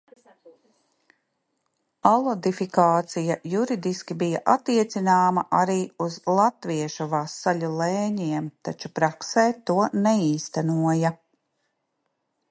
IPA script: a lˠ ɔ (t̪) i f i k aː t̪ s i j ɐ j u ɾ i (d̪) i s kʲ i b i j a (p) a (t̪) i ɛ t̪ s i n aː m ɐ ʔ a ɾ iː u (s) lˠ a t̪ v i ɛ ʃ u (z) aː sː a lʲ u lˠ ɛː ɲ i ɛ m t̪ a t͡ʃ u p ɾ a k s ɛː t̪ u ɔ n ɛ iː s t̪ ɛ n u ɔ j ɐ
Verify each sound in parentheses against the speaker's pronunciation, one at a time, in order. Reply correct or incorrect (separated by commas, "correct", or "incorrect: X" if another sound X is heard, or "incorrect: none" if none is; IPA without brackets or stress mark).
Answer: incorrect: d̪, correct, incorrect: ʔ, correct, incorrect: z, incorrect: v